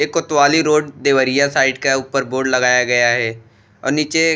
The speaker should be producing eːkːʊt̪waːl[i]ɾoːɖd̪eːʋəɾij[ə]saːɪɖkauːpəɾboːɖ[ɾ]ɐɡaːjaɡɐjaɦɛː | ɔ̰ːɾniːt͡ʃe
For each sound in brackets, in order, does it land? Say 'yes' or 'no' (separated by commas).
yes, no, no